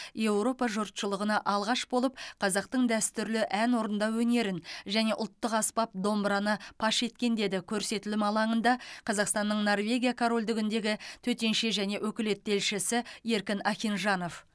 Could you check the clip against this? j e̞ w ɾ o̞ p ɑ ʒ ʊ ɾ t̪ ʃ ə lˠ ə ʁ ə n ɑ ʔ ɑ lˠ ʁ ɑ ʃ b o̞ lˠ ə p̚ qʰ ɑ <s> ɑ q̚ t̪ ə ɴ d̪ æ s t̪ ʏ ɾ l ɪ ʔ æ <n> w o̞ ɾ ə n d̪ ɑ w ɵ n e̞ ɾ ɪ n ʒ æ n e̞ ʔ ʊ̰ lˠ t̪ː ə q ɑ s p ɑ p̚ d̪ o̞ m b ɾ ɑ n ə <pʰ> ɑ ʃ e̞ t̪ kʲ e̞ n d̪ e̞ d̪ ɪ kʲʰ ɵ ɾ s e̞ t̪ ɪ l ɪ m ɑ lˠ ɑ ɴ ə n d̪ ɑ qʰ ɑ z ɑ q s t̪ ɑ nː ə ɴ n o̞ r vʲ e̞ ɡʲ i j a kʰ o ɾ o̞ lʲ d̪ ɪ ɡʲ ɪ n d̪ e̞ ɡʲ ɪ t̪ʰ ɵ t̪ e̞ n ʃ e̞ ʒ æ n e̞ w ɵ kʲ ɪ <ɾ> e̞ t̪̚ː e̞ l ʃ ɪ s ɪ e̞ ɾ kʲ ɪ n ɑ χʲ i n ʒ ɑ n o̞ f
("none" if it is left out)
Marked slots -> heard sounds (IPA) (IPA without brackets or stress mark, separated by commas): z, n, pʰ, l